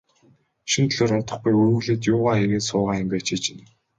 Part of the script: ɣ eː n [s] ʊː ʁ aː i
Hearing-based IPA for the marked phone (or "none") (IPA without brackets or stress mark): s